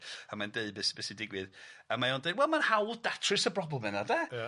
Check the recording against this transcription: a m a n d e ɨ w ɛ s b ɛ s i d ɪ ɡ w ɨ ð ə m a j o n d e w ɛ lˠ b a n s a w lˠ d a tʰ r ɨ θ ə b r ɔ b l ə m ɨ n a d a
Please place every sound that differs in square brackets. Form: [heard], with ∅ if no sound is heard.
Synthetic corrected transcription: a m a n d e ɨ [b] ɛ s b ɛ s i d ɪ ɡ w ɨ ð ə m a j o n d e w ɛ lˠ [m] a n [h] a w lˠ d a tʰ r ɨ [s] ə b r ɔ b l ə m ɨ n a d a